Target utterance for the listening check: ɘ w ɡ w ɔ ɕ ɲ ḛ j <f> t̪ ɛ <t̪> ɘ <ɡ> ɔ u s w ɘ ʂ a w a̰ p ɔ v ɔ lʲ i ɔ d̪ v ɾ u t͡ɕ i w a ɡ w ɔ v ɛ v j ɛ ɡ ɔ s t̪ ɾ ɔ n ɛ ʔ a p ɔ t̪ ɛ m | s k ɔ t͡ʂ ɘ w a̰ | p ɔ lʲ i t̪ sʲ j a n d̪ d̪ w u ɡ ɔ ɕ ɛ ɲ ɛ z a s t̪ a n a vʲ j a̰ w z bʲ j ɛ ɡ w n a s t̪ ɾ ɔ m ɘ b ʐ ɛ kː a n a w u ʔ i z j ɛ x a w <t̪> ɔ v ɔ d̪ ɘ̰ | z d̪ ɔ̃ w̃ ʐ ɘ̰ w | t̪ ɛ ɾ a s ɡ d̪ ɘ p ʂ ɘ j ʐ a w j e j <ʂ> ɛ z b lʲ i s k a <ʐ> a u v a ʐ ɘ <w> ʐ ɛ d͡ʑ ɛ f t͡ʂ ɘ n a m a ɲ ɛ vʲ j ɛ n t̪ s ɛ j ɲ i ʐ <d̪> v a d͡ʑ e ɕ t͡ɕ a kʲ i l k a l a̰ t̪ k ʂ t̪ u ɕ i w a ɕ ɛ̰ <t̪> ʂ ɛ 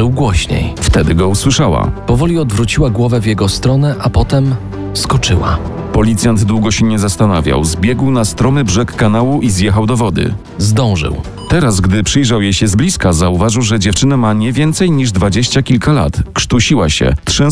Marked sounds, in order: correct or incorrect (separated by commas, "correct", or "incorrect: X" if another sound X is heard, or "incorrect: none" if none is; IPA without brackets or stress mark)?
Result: correct, incorrect: d̪, correct, incorrect: d̪, incorrect: ɕ, incorrect: z, correct, correct, correct